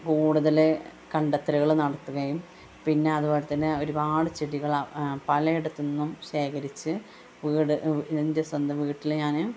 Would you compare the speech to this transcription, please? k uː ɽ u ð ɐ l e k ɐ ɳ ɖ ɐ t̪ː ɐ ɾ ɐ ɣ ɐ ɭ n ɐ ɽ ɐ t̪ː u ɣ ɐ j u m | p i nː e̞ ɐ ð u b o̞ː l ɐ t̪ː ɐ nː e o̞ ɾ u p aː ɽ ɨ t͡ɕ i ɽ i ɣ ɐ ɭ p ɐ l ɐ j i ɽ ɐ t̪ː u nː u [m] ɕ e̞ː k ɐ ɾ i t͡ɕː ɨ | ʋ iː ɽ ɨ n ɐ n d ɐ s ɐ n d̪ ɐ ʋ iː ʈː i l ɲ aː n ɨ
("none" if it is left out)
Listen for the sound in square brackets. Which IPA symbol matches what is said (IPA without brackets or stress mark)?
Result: m